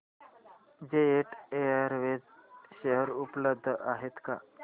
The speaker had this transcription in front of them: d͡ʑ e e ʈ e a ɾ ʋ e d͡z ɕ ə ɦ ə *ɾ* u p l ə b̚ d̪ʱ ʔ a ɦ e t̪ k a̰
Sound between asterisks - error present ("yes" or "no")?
no